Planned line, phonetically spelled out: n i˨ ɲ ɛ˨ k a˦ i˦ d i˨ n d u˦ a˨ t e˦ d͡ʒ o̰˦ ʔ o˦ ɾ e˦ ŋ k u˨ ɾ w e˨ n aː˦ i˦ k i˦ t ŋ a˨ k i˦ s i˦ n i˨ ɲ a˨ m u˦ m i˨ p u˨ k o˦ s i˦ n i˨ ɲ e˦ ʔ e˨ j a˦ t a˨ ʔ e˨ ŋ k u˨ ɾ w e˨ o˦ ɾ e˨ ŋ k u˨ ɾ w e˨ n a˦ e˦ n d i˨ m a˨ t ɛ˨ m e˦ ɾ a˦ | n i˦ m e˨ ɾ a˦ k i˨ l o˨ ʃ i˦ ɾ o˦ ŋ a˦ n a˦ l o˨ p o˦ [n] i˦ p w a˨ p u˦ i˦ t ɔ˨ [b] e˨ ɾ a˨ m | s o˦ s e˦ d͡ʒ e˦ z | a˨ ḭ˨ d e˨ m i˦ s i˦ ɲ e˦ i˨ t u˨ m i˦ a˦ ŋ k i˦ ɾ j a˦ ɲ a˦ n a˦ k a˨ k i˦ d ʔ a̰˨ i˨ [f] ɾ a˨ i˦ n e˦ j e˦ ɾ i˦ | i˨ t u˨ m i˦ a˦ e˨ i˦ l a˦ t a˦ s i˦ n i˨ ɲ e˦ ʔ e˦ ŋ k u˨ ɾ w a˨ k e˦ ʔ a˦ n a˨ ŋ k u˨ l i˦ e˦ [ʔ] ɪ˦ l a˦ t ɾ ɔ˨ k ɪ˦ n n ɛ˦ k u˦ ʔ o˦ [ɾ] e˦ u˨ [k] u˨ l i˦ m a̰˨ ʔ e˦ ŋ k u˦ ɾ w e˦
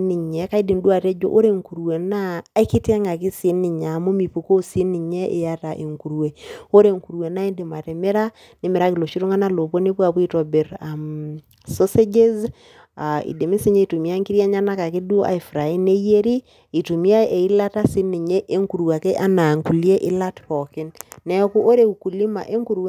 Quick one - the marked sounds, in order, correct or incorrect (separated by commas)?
correct, correct, correct, correct, correct, correct